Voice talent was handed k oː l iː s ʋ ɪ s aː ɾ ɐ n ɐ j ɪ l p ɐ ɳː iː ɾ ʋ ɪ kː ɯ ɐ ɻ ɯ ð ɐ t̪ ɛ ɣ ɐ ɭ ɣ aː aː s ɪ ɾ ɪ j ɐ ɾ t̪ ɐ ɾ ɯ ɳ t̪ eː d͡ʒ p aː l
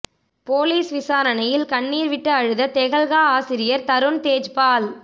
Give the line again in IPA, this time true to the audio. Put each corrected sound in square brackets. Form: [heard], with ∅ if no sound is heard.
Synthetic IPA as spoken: [p] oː l iː s ʋ ɪ s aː ɾ ɐ n ɐ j ɪ l [k] ɐ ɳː iː ɾ ʋ ɪ [ʈː] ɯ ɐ ɻ ɯ ð ɐ t̪ ɛ ɣ ɐ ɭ ɣ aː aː s ɪ ɾ ɪ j ɐ ɾ t̪ ɐ ɾ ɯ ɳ t̪ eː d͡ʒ p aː l